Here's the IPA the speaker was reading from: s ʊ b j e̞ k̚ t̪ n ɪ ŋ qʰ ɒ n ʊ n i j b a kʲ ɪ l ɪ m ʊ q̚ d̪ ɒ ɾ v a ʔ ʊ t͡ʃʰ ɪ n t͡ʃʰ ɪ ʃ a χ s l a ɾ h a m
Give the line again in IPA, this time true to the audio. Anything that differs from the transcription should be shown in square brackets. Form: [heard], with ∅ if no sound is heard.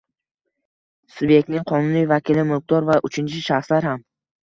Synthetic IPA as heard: s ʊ b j e̞ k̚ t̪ n ɪ ŋ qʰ ɒ n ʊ n i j [v] a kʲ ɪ l ɪ m ʊ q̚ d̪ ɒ ɾ v a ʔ ʊ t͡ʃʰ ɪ n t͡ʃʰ ɪ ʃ a χ s l a ɾ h a m